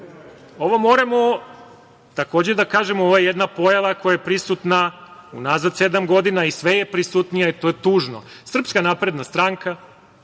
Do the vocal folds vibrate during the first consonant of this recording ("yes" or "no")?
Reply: yes